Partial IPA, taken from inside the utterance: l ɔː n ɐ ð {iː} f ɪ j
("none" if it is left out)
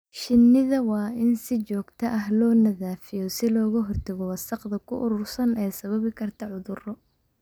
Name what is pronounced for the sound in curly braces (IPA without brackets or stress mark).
aː